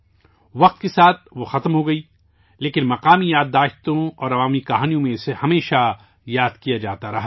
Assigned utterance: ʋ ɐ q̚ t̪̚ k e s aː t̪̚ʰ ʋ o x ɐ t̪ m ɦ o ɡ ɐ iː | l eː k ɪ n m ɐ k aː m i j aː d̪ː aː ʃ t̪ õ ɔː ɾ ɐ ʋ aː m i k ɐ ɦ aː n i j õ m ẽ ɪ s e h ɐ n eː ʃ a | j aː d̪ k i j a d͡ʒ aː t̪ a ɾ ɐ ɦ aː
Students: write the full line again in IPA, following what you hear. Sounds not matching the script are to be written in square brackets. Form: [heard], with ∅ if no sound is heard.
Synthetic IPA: ʋ ɐ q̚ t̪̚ k e s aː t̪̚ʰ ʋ o x ɐ t̪ m ɦ o ɡ ɐ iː | l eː k ɪ n m ɐ [q] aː m i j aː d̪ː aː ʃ t̪ õ ɔː ɾ ɐ ʋ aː m i k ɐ ɦ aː n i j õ m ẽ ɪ s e h ɐ [m] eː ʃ a | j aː d̪ k i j a d͡ʒ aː t̪ a ɾ ɐ ɦ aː